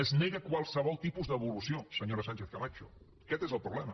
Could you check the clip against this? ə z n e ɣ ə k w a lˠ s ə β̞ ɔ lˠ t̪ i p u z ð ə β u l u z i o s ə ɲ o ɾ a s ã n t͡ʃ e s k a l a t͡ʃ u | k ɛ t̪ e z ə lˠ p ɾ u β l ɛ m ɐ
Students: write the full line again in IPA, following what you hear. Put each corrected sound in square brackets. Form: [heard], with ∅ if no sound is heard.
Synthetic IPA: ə z n e ɣ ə k w a lˠ s ə β̞ ɔ lˠ t̪ i p u z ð ə β u l u [s] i o s ə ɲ o ɾ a s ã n t͡ʃ e [θ] k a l a t͡ʃ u | k ɛ t̪ e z ə lˠ p ɾ u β l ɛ m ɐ